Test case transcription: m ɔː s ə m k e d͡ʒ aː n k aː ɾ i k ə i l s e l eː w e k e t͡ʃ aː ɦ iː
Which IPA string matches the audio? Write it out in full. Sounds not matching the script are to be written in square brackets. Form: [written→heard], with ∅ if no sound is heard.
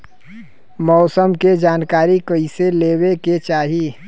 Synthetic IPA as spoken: m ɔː s ə m k e d͡ʒ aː n k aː ɾ i k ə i [l→∅] s e l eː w e k e t͡ʃ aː ɦ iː